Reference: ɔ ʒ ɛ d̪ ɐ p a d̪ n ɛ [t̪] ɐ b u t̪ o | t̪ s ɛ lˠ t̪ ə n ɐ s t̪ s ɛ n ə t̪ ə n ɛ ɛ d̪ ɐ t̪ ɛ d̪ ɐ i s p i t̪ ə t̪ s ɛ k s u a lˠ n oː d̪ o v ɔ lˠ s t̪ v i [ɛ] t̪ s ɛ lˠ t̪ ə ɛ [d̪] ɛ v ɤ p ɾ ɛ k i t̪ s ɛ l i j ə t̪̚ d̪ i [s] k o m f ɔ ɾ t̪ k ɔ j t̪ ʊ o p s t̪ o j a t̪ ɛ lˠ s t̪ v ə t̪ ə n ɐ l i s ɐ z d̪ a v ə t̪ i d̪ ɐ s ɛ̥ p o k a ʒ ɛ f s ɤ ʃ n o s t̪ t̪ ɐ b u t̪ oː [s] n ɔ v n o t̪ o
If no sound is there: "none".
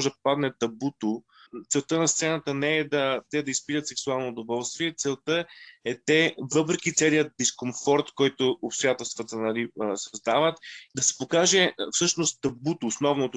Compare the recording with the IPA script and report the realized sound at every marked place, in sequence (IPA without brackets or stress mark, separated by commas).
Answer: t̪, ɛ, t̪, s, s